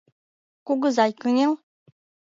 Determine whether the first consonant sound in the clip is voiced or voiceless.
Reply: voiceless